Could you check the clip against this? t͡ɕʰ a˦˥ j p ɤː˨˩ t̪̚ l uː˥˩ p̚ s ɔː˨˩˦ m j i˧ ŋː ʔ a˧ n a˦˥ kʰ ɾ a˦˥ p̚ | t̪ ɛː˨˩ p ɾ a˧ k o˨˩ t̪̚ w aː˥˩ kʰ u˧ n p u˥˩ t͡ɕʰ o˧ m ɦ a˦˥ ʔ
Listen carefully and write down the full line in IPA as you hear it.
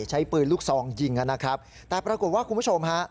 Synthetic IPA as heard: t͡ɕʰ a˦˥ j p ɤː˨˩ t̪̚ l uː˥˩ k̚ s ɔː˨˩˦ ŋ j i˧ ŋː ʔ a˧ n a˦˥ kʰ ɾ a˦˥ p̚ | t̪ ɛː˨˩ p ɾ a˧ k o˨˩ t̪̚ w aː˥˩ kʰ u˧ n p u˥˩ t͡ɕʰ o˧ m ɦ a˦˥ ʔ